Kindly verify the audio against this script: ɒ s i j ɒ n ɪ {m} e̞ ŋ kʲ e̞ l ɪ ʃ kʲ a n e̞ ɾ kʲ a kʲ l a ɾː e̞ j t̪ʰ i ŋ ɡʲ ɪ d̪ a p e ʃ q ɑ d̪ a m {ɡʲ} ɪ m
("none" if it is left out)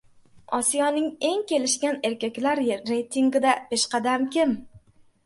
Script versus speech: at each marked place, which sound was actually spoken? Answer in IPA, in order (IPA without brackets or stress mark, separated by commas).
ŋ, kʲ